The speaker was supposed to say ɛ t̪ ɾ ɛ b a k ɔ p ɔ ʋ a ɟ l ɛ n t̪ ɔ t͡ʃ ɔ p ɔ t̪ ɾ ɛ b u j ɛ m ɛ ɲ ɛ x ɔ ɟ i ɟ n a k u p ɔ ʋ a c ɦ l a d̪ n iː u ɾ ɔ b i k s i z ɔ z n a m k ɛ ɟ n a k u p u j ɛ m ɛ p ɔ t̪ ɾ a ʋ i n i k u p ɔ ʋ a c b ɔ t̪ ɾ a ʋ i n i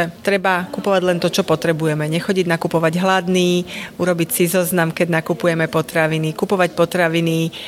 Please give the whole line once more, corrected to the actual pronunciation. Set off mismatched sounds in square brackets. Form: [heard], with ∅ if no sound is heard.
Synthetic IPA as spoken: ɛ t̪ ɾ ɛ b a k [u] p ɔ ʋ a ɟ l ɛ n t̪ ɔ t͡ʃ ɔ p ɔ t̪ ɾ ɛ b u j ɛ m ɛ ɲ ɛ x ɔ ɟ i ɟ n a k u p ɔ ʋ a [ɟ] ɦ l a d̪ n iː u ɾ ɔ b i [c] s i z ɔ z n a m k ɛ ɟ n a k u p u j ɛ m ɛ p ɔ t̪ ɾ a ʋ i n i k u p ɔ ʋ a c [p] ɔ t̪ ɾ a ʋ i n i